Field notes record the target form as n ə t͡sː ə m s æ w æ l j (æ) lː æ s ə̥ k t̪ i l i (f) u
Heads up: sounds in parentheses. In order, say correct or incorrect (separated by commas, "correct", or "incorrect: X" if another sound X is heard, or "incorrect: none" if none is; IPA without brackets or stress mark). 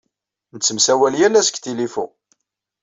correct, correct